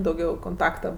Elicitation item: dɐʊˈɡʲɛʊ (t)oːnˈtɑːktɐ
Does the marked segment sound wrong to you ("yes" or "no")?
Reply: yes